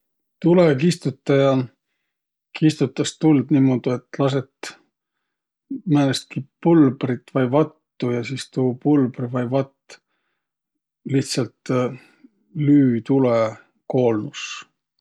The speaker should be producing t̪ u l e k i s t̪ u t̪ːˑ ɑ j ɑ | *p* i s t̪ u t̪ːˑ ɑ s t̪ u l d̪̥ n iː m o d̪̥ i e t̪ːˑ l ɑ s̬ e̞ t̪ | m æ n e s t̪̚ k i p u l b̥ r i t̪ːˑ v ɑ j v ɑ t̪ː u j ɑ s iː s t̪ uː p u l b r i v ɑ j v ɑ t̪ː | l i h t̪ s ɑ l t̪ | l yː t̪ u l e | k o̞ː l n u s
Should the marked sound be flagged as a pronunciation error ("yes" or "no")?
yes